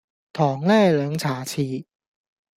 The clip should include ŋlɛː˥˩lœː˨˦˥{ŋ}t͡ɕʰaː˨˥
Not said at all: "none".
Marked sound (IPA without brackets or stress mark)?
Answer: ŋ